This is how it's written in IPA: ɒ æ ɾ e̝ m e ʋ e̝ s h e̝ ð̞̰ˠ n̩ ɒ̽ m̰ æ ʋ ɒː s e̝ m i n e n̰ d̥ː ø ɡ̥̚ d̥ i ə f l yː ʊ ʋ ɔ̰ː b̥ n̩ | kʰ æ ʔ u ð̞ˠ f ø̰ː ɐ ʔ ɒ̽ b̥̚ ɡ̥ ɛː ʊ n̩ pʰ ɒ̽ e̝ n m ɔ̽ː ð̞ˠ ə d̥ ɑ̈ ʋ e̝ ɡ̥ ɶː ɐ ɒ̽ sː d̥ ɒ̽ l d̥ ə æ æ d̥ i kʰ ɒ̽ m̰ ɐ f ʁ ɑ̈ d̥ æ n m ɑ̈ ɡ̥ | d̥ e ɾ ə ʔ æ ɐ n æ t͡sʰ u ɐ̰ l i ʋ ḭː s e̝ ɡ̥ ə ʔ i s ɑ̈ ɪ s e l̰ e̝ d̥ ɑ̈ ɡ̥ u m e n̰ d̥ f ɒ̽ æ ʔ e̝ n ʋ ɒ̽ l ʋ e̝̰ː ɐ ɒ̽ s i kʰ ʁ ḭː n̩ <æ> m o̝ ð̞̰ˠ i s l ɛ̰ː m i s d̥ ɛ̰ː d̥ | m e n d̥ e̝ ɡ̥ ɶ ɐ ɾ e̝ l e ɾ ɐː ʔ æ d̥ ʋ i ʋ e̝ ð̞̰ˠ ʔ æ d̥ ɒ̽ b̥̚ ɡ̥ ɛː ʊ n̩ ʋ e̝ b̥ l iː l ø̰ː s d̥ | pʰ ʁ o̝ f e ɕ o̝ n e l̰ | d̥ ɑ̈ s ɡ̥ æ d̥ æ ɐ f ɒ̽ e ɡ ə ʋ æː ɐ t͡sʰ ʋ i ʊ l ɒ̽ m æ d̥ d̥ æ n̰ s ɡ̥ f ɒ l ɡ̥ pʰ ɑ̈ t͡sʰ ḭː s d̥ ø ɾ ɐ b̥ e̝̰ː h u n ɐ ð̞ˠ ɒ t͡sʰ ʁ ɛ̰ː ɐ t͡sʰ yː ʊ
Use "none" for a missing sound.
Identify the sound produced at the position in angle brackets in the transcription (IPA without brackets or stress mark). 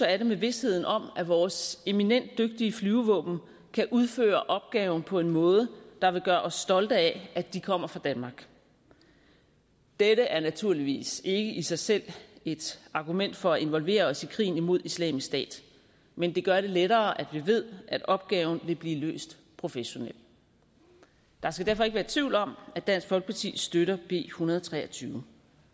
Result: i